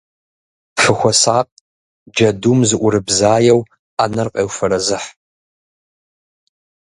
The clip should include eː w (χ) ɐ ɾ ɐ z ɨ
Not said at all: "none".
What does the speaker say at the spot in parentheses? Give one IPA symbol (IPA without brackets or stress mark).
f